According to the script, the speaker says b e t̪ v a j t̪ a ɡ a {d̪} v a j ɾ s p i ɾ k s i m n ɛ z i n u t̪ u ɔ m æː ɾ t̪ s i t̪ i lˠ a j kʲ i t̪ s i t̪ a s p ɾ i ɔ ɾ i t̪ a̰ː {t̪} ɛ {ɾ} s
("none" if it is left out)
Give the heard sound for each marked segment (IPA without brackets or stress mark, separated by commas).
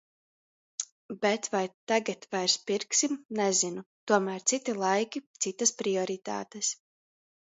t̪, t̪, none